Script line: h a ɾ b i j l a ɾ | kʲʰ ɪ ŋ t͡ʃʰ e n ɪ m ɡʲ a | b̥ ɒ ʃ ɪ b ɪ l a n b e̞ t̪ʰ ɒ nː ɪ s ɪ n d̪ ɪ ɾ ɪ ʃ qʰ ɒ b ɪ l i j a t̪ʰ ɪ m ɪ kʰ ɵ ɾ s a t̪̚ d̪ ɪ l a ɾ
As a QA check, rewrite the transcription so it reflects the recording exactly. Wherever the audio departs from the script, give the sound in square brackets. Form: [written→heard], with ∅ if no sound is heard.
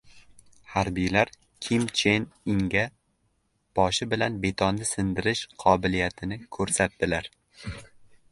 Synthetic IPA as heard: h a ɾ b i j l a ɾ | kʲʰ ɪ [ŋ→m] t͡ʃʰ e n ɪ [m→ŋ] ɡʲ a | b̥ ɒ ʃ ɪ b ɪ l a n b e̞ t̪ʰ ɒ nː ɪ s ɪ n d̪ ɪ ɾ ɪ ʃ qʰ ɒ b ɪ l i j a t̪ʰ ɪ [m→n] ɪ kʰ ɵ ɾ s a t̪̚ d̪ ɪ l a ɾ